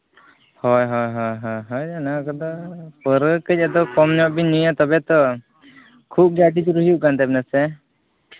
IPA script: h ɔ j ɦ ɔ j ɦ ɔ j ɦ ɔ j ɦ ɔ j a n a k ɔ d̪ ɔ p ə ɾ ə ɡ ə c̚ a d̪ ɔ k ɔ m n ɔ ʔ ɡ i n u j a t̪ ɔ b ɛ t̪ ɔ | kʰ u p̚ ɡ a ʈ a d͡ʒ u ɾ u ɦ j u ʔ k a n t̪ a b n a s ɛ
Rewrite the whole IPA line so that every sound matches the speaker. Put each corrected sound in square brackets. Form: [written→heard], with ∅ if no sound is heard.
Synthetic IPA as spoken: h ɔ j ɦ ɔ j ɦ ɔ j ɦ ɔ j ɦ ɔ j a n a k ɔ d̪ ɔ p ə ɾ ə [ɡ→k] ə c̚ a d̪ ɔ k ɔ m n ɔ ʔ [ɡ→b] i n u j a t̪ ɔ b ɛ t̪ ɔ | kʰ u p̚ ɡ a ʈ [a→i] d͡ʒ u ɾ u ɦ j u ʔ k a n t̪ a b n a s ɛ

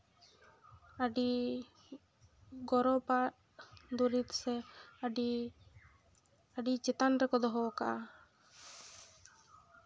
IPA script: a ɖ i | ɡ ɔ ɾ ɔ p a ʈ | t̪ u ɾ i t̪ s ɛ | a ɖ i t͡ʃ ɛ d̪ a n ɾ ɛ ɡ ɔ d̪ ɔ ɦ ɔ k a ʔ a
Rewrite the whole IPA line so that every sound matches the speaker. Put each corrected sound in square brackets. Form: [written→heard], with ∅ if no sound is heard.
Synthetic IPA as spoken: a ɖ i | ɡ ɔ ɾ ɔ p a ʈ | [t̪→d̪] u ɾ i t̪ s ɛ | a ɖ i t͡ʃ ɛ [d̪→t̪] a n ɾ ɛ [ɡ→k] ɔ d̪ ɔ ɦ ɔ k a ʔ a

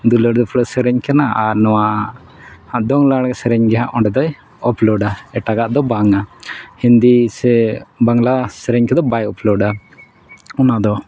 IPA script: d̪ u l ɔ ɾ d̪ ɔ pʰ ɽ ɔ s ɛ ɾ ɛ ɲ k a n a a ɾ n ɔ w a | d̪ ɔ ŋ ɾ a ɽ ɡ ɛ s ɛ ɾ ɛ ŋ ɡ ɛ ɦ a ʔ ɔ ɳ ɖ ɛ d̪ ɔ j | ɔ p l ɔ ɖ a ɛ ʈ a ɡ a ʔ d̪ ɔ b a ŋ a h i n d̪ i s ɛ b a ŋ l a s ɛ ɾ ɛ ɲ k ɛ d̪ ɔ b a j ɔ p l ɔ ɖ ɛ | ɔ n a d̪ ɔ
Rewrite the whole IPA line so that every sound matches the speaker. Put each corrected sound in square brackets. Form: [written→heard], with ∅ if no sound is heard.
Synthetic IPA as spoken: d̪ u l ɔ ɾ d̪ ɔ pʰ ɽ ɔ s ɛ ɾ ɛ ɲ k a n a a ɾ n ɔ w a | d̪ ɔ ŋ [ɾ→l] a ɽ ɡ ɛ s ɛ ɾ ɛ [ŋ→ɲ] ɡ ɛ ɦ a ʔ ɔ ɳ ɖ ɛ d̪ ɔ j | ɔ p l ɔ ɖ a ɛ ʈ a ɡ a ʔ d̪ ɔ b a ŋ a h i n d̪ i s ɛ b a ŋ l a s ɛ ɾ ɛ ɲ k ɛ d̪ ɔ b a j ɔ p l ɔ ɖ [ɛ→a] | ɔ n a d̪ ɔ

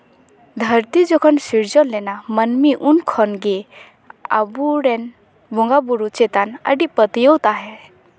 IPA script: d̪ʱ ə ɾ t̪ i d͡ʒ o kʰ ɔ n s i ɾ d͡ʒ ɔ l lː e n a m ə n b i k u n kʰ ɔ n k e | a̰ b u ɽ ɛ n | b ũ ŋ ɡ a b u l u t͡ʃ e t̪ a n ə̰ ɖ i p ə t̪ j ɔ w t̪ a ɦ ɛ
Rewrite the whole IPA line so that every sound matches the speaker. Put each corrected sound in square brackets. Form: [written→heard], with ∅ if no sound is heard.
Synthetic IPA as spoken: d̪ʱ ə ɾ t̪ i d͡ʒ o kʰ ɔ n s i ɾ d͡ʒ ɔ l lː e n a m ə n [b→m] i [k→ʔ] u n kʰ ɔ n [k→ɡ] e | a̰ b u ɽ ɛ n | b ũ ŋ ɡ a b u [l→ɾ] u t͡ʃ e t̪ a n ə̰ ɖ i p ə t̪ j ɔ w t̪ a ɦ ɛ

